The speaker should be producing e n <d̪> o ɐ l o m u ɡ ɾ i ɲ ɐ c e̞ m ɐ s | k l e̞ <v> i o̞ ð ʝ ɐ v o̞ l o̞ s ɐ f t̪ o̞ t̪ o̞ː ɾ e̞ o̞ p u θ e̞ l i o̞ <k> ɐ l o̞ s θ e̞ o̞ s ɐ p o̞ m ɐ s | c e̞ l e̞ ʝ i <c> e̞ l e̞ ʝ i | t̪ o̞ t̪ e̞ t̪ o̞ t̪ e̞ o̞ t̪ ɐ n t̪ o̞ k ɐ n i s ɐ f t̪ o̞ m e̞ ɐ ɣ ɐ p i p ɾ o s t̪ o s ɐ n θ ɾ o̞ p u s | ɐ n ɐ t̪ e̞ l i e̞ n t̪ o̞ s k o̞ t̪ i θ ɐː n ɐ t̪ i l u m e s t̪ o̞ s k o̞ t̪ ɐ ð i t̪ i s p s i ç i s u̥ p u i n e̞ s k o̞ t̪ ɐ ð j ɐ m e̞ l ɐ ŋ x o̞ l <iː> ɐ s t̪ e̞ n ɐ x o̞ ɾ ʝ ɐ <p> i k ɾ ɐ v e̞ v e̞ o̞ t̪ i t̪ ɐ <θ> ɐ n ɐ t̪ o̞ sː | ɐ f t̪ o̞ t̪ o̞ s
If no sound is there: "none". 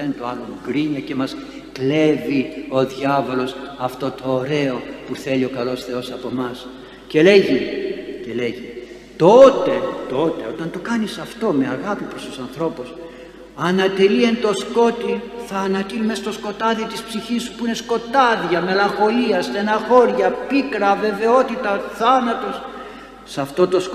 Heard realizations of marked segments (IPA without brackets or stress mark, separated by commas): t̪, v, k, c, i, p, θ